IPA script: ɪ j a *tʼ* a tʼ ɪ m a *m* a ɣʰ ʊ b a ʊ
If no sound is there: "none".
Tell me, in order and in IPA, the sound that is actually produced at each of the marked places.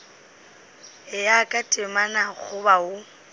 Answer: kʼ, n

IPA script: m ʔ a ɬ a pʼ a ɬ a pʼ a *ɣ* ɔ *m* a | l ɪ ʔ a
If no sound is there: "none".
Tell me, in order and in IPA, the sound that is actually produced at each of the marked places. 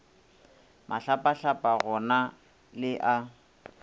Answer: ɣ, n

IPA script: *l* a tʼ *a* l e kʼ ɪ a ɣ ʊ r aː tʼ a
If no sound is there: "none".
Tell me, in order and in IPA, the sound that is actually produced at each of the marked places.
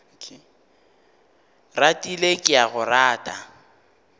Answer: r, i

